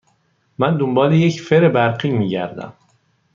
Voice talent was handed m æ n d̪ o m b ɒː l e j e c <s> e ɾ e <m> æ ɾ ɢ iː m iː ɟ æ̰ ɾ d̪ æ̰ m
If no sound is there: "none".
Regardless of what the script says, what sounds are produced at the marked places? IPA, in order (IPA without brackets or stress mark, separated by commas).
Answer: f, b